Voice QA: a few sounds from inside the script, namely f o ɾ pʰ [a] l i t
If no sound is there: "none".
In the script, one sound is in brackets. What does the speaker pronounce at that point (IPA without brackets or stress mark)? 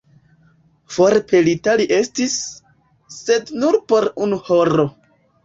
e